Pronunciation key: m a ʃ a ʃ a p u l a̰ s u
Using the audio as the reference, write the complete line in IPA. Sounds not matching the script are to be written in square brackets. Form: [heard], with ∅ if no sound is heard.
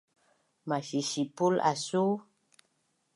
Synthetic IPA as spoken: m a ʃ [i] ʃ [i] p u l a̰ s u